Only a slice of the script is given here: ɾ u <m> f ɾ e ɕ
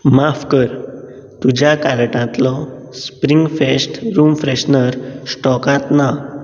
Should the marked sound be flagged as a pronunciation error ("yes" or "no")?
no